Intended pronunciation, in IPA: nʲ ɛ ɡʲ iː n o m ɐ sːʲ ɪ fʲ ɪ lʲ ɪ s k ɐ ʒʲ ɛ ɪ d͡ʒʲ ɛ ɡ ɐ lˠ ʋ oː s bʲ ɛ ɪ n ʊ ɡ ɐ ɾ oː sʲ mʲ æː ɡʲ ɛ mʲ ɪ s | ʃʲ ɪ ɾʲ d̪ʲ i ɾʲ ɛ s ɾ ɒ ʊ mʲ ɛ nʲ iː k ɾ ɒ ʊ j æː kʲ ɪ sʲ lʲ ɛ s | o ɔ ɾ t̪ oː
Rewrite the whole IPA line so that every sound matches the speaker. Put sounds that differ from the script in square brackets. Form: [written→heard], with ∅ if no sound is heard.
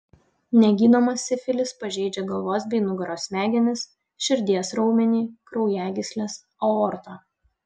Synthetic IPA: nʲ ɛ ɡʲ iː n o m ɐ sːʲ ɪ fʲ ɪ lʲ ɪ s [k→p] ɐ ʒʲ ɛ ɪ d͡ʒʲ ɛ ɡ ɐ lˠ ʋ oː s bʲ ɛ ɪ n ʊ ɡ ɐ ɾ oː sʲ mʲ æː ɡʲ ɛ [mʲ→nʲ] ɪ s | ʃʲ ɪ ɾʲ d̪ʲ i [ɾʲ→∅] ɛ s ɾ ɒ ʊ mʲ ɛ nʲ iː k ɾ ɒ ʊ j æː [kʲ→ɡʲ] ɪ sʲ lʲ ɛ s | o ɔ ɾ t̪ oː